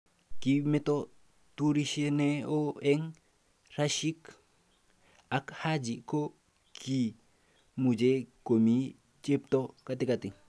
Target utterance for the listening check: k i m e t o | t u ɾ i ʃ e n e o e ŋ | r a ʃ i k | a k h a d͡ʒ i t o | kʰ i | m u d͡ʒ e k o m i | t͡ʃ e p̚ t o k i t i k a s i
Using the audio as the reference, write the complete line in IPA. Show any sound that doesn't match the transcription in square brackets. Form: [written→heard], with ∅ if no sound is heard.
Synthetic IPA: k i m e t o | t u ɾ i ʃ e n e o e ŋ | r a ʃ i k | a k h a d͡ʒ i [t→k] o | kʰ i | m u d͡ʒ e k o m i | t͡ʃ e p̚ t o k [i→a] t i k a [s→t] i